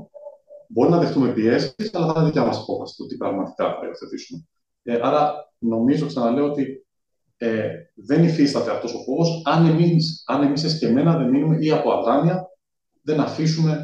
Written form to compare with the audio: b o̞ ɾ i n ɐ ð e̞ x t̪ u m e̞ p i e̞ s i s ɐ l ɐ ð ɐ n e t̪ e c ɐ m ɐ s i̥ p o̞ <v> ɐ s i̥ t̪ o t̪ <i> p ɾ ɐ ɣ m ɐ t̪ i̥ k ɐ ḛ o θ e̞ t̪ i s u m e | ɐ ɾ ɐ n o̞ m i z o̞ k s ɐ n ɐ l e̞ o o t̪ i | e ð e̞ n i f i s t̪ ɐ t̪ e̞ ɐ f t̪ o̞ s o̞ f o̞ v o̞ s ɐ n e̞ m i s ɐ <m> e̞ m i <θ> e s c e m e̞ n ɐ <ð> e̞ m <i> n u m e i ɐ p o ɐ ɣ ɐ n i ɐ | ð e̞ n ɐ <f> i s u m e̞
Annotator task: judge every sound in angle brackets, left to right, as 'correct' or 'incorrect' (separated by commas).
incorrect, correct, incorrect, incorrect, correct, correct, correct